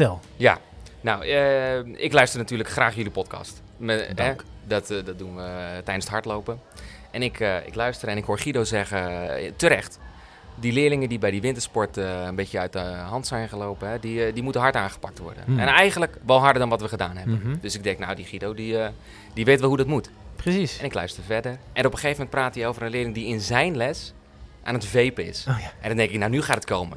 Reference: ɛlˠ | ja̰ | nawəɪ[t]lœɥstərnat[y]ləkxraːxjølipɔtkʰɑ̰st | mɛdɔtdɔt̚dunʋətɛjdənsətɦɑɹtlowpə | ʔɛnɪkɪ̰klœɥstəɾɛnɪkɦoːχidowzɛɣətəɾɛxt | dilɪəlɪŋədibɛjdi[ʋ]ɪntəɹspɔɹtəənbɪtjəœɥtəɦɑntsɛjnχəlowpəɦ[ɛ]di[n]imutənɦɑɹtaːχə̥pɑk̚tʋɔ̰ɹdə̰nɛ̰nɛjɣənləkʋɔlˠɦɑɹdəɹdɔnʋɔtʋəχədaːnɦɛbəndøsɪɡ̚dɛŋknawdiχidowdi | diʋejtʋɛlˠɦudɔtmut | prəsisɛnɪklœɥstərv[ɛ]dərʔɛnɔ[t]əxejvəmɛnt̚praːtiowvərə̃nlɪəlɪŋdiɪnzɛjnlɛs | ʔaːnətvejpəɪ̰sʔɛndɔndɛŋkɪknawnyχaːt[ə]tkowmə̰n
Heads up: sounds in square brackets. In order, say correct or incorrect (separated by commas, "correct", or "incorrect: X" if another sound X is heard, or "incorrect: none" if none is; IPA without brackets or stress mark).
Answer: incorrect: k, incorrect: yː, correct, correct, incorrect: d, correct, incorrect: p, correct